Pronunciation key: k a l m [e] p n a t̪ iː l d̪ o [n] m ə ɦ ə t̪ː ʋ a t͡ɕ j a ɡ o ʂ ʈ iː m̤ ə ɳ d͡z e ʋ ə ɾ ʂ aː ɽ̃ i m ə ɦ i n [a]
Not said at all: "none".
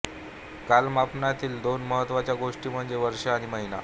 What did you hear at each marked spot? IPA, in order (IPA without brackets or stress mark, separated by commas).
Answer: a, n, a